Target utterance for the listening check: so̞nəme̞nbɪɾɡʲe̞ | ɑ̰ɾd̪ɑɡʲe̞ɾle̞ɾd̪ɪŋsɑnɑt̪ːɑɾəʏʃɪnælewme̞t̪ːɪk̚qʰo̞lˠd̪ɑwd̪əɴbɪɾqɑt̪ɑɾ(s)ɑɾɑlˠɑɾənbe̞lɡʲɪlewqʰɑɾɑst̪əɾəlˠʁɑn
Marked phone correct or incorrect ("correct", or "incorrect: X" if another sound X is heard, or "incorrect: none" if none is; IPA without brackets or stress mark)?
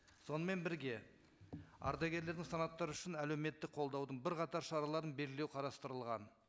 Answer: incorrect: ʃ